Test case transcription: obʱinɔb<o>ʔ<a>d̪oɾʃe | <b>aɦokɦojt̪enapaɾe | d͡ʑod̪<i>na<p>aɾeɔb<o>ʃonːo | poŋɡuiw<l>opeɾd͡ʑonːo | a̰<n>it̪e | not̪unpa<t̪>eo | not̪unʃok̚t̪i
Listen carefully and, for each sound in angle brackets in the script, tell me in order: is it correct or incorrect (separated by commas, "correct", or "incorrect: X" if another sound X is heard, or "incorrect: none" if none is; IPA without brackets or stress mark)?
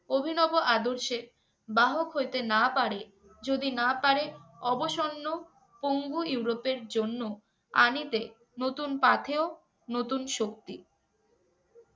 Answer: correct, correct, correct, correct, correct, correct, incorrect: ɾ, correct, incorrect: t̪ʰ